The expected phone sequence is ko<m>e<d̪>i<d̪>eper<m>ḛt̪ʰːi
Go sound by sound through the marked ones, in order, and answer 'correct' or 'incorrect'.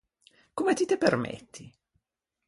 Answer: correct, incorrect: t̪, incorrect: t̪, correct

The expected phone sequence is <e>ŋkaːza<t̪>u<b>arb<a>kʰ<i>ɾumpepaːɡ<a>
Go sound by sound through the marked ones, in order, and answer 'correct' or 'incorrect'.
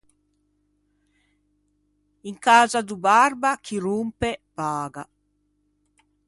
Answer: incorrect: i, incorrect: d̪, correct, correct, correct, correct

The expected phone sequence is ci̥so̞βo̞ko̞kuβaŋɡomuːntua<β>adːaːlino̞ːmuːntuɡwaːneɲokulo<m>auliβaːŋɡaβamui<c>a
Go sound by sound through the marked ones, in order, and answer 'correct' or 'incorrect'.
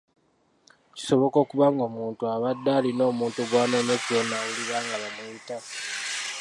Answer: correct, incorrect: n, incorrect: t

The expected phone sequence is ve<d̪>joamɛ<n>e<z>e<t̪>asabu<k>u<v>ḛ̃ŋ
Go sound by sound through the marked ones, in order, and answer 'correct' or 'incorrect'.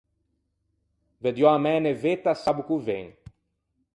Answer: correct, correct, incorrect: v, correct, correct, correct

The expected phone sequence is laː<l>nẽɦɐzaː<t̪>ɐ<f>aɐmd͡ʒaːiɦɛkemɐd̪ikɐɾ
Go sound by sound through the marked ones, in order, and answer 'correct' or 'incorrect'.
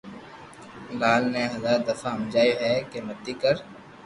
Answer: correct, incorrect: d̪, correct

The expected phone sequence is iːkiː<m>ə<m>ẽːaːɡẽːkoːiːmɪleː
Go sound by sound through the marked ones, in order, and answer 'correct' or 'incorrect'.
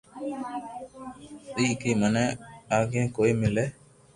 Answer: correct, incorrect: n

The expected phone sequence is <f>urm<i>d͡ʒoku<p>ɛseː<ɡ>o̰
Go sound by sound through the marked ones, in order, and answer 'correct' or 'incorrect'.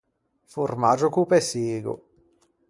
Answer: correct, incorrect: a, correct, correct

